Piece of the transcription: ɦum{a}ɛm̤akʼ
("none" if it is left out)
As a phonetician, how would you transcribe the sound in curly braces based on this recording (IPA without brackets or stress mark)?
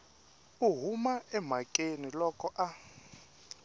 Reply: a